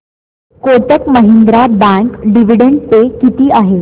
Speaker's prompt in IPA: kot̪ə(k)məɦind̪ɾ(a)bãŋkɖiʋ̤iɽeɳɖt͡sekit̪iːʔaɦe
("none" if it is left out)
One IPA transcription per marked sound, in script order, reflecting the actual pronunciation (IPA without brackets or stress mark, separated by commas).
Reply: k, a